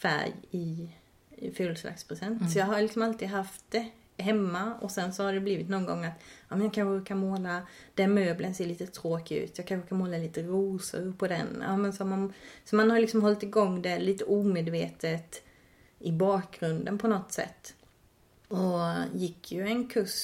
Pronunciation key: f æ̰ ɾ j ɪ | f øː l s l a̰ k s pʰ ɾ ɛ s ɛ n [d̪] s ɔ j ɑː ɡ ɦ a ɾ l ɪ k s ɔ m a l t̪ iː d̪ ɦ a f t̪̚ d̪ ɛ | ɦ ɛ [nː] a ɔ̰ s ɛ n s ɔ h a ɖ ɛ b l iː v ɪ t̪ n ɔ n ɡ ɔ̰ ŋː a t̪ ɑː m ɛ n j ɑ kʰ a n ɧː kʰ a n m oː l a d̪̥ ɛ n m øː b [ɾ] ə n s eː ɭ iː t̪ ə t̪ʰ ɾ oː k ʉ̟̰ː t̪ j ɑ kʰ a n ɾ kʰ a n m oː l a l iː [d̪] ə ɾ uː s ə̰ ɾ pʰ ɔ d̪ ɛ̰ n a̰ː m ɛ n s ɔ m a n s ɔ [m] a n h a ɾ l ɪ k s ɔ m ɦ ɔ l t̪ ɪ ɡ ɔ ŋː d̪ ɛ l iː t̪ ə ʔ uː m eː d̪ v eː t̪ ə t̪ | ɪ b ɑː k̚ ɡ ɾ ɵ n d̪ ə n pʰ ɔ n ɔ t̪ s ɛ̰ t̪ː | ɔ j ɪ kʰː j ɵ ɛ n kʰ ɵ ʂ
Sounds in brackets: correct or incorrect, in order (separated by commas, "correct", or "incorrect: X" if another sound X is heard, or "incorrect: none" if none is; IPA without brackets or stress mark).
incorrect: t̪, incorrect: mː, incorrect: l, incorrect: t̪, correct